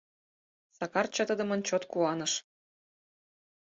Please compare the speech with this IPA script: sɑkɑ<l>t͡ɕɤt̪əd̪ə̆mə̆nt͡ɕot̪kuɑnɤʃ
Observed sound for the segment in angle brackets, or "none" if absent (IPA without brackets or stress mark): r